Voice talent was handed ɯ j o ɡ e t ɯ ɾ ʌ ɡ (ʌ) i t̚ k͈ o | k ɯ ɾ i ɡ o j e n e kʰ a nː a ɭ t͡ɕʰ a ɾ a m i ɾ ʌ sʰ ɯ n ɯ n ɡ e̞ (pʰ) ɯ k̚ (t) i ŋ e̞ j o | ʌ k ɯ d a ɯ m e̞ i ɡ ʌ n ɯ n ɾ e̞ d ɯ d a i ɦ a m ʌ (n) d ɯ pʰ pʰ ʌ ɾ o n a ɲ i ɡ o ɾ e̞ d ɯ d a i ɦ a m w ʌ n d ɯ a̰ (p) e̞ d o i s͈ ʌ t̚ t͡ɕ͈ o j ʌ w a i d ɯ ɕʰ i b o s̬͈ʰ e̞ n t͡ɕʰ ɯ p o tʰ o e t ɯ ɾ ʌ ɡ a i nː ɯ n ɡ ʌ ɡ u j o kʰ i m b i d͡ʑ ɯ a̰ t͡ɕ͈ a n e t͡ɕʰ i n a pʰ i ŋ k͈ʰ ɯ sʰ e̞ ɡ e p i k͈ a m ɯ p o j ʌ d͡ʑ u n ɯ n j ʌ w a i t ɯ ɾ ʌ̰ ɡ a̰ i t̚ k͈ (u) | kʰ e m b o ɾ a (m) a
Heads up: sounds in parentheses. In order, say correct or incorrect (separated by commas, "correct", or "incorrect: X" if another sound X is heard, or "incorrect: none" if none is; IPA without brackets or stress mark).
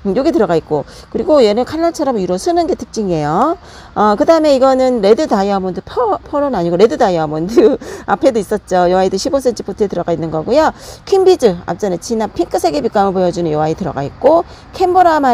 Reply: incorrect: a, incorrect: tʰ, incorrect: t͡ɕ͈, correct, incorrect: pʰ, incorrect: o, correct